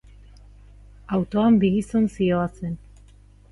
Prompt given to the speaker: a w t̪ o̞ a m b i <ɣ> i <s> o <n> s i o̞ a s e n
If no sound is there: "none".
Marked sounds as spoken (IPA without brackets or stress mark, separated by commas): ɣ, s, n